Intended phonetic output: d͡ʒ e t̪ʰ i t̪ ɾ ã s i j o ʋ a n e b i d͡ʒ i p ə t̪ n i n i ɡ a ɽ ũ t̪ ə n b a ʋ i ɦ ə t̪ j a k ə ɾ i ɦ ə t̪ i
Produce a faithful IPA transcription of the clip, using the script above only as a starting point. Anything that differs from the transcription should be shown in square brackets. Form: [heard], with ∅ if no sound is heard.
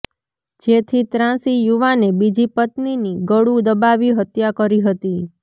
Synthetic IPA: d͡ʒ e t̪ʰ i t̪ ɾ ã s i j [u] ʋ a n e b i d͡ʒ i p ə t̪ n i n i ɡ [ə] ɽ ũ [d̪] ə [∅] b a ʋ i ɦ ə t̪ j a k ə ɾ i ɦ ə t̪ i